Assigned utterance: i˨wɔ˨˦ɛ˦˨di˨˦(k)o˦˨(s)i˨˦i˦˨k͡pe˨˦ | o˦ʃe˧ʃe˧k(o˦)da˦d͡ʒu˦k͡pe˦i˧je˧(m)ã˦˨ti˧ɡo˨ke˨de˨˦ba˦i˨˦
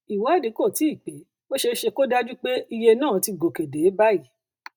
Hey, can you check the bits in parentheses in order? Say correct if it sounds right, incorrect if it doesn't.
correct, incorrect: t, correct, incorrect: n

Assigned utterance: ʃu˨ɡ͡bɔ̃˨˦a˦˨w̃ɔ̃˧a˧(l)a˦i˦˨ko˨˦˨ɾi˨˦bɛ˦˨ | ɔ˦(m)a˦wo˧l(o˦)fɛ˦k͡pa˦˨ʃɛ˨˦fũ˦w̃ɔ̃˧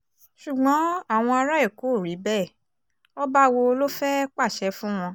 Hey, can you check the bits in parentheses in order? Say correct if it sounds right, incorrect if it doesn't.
incorrect: ɾ, incorrect: b, correct

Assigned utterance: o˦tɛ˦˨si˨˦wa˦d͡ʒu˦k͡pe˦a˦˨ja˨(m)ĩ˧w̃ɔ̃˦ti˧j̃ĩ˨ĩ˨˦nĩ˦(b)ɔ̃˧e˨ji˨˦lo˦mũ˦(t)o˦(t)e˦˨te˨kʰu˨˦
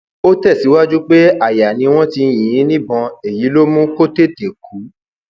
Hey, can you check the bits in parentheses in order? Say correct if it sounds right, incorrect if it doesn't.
incorrect: n, correct, incorrect: k, correct

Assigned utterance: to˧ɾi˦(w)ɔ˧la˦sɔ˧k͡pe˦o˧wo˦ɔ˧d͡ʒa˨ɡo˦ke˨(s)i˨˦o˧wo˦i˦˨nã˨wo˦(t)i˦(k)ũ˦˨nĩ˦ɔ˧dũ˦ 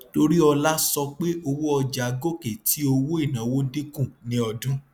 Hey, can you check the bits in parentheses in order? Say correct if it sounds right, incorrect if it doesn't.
incorrect: none, incorrect: t, incorrect: d, correct

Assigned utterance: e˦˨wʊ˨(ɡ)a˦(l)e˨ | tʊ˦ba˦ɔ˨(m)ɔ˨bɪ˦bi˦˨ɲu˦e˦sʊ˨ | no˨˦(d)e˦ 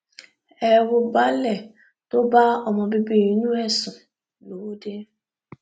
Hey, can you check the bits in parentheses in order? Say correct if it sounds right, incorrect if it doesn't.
incorrect: b, correct, correct, correct

